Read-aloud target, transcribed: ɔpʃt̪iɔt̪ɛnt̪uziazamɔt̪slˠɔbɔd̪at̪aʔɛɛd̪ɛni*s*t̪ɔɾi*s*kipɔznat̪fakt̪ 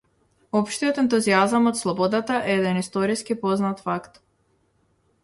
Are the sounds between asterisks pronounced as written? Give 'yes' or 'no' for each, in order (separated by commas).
yes, yes